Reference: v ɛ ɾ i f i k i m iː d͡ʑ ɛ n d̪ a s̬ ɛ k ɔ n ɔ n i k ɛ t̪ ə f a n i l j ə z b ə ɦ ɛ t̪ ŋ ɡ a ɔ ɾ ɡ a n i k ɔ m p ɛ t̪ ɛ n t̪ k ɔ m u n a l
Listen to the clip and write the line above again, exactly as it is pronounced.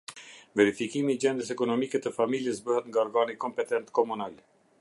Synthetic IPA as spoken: v ɛ ɾ i f i k i m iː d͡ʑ ɛ n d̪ ə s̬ ɛ k ɔ n ɔ m i k ɛ t̪ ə f a m i l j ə s b ə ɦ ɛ t̪ ŋ ɡ a ɔ ɾ ɡ a n i k ɔ m p ɛ t̪ ɛ n t̪ k ɔ m u n a l